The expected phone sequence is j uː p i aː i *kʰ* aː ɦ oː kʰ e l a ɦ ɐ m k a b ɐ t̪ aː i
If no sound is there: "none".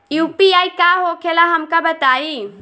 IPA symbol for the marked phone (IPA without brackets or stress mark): k